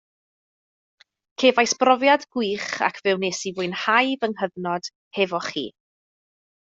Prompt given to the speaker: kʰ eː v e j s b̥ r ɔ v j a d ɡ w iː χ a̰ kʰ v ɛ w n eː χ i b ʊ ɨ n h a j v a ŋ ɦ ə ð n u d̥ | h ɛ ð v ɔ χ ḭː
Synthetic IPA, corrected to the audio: kʰ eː v a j s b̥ r ɔ v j a d ɡ w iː χ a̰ kʰ v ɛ w n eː s i v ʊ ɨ n h a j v ə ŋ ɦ ə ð n ɔ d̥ | h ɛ v ɔ χ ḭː